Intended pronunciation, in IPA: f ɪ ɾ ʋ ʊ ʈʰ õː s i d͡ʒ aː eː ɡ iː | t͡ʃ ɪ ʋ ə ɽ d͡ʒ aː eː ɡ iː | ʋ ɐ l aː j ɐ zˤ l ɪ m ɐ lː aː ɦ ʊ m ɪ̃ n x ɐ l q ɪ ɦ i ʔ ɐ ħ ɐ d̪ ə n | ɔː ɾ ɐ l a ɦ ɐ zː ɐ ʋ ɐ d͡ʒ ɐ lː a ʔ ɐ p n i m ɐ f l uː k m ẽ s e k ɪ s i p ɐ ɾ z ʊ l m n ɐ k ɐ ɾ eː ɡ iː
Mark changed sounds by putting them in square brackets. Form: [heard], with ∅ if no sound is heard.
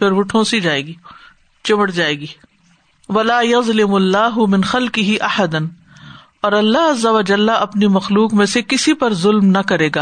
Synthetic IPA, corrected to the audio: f ɪ ɾ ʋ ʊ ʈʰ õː s i d͡ʒ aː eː ɡ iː | t͡ʃ ɪ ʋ ə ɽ d͡ʒ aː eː ɡ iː | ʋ ɐ l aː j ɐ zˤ l ɪ m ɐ lː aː ɦ ʊ m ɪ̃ n x ɐ l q ɪ ɦ i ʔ ɐ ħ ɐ d̪ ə n | ɔː ɾ ɐ [lː] a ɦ ɐ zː ɐ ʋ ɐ d͡ʒ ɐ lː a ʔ ɐ p n i m ɐ [x] l uː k m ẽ s e k ɪ s i p ɐ ɾ z ʊ l m n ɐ k ɐ ɾ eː ɡ [aː]